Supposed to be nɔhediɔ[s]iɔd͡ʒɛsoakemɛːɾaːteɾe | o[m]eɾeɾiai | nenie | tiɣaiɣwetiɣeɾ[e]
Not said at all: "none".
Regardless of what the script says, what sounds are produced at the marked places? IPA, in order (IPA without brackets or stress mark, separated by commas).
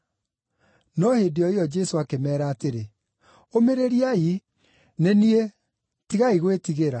none, m, a